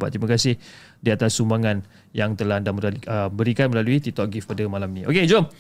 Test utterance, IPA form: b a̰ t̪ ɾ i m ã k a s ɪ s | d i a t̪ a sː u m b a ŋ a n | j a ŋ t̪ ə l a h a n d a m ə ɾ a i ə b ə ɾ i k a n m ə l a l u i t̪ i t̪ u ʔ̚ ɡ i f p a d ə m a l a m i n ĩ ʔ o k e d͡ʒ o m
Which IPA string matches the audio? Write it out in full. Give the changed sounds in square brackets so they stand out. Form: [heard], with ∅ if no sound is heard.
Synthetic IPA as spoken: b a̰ t̪ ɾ i m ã k a s ɪ [h] | d i a t̪ a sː u m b a ŋ a n | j a ŋ t̪ ə l a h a n d a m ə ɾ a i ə b ə ɾ i k a n m ə l a l u i t̪ i t̪ [ɔ] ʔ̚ ɡ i f p a d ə m a l a m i n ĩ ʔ o k e d͡ʒ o m